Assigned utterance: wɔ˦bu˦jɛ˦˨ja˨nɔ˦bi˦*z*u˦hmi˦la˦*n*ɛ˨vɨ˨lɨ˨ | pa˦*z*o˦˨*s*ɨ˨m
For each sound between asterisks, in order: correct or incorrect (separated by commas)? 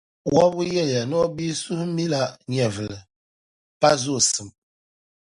incorrect, incorrect, correct, correct